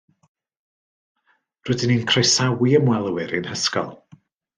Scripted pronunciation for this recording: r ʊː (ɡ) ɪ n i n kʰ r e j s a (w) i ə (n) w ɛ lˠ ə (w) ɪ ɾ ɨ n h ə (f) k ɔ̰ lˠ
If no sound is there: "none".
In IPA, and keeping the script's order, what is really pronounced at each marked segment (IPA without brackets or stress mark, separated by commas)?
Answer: d, w, m, w, s